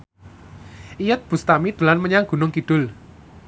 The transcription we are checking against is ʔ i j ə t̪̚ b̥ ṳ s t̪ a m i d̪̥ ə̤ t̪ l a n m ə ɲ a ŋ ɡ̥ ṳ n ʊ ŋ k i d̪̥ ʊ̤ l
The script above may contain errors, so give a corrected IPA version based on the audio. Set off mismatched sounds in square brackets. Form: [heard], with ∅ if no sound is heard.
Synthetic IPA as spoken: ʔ i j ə t̪̚ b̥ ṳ s t̪ a m i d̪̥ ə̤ [∅] l a n m ə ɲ a ŋ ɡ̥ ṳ n ʊ ŋ k i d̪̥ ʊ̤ l